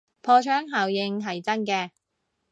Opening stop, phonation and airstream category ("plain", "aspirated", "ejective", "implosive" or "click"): aspirated